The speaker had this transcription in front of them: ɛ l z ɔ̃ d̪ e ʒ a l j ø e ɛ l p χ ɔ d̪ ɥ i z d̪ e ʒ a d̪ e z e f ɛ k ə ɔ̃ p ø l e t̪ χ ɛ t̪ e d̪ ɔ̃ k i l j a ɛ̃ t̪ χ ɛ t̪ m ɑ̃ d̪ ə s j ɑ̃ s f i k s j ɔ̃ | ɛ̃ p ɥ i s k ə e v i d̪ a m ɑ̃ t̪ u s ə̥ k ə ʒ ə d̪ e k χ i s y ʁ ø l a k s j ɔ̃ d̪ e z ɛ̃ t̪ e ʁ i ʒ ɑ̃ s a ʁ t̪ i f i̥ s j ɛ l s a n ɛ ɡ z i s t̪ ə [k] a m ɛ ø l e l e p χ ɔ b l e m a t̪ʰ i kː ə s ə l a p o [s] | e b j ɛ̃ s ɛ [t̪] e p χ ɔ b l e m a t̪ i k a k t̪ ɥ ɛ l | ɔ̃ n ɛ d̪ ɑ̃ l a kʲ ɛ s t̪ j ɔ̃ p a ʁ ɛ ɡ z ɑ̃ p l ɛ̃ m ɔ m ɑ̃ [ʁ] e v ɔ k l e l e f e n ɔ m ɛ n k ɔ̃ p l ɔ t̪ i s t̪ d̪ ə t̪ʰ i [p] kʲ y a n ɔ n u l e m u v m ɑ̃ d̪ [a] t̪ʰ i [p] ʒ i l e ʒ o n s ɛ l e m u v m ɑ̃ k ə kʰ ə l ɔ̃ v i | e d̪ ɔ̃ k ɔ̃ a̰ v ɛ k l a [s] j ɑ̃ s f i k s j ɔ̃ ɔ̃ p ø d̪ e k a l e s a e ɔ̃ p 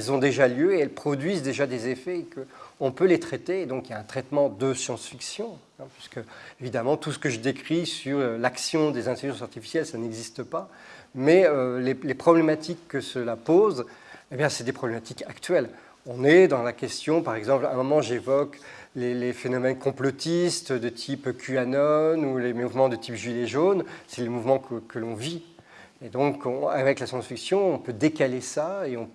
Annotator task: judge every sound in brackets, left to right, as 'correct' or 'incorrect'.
incorrect, incorrect, incorrect, incorrect, correct, incorrect, correct, correct

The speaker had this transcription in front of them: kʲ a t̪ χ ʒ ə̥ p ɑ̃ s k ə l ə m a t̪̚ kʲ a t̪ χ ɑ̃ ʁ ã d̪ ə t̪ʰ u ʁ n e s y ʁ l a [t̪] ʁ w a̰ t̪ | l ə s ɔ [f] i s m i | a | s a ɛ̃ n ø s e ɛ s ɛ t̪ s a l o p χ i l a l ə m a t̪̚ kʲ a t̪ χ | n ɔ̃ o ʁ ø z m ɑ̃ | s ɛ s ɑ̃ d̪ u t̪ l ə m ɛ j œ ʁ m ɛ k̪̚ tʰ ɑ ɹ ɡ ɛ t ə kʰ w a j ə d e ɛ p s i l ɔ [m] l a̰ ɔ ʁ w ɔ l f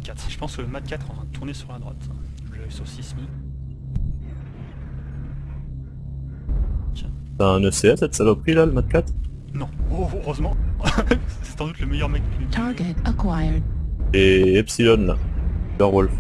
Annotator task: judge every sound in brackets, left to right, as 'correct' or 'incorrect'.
incorrect, incorrect, incorrect

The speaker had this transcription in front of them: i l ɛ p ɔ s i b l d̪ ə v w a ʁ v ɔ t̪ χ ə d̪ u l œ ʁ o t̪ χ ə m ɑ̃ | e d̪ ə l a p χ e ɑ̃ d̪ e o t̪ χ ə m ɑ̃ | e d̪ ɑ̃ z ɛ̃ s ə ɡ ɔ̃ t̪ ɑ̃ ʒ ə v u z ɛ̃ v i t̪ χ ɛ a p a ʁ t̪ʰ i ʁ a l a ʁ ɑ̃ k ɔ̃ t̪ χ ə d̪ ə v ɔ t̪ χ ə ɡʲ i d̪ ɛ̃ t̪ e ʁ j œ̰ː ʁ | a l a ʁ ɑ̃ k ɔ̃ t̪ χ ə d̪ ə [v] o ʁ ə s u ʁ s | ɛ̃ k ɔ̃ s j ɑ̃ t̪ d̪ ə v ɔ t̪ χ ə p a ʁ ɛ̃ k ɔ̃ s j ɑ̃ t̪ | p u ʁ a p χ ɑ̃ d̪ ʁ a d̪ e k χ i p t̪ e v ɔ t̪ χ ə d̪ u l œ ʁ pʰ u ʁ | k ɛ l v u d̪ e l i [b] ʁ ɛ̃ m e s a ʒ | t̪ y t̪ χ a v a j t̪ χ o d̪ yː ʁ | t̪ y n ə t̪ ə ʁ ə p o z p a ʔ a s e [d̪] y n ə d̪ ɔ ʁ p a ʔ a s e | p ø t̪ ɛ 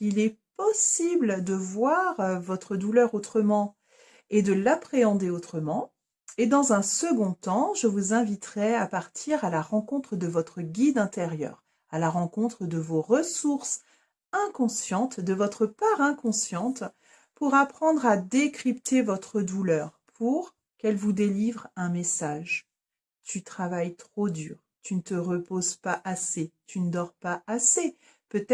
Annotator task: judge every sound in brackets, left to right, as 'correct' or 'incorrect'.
correct, incorrect, incorrect

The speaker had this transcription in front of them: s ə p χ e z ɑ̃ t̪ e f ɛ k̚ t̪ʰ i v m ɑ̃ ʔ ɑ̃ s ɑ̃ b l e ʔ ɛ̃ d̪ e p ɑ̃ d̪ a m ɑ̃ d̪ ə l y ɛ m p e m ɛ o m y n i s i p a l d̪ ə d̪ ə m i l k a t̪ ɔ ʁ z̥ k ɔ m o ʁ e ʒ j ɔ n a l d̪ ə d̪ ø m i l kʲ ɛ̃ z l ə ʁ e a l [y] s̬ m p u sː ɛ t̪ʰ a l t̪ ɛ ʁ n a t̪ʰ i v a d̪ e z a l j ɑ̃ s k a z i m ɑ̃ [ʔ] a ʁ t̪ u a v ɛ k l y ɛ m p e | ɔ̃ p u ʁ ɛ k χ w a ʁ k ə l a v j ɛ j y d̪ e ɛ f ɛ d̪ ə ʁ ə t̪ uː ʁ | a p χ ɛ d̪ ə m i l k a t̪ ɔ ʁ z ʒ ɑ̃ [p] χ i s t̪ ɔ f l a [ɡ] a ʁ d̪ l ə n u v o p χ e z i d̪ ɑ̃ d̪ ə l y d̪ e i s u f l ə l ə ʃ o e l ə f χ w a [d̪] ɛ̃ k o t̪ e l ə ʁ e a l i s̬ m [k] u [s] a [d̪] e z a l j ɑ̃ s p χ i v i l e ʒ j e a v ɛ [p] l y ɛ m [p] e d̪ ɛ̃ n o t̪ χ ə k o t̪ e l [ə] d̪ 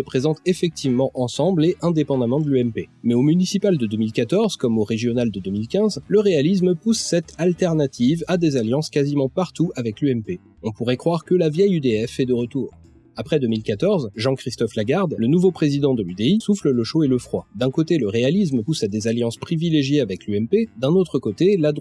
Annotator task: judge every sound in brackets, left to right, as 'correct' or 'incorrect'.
incorrect, incorrect, incorrect, correct, correct, incorrect, correct, correct, incorrect, correct, incorrect

